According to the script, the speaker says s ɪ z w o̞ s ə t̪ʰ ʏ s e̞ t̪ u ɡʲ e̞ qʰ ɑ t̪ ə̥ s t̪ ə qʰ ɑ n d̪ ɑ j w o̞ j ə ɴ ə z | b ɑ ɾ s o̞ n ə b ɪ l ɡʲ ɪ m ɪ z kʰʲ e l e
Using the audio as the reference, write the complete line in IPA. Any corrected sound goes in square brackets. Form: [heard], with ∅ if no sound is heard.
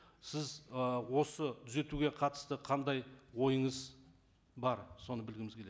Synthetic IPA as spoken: s ɪ z w o̞ s ə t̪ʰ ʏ [z] e̞ t̪ u ɡʲ e̞ qʰ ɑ t̪ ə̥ s t̪ ə qʰ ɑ n d̪ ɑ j w o̞ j ə ɴ ə z | b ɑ ɾ s o̞ n ə b ɪ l ɡʲ ɪ m ɪ z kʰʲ e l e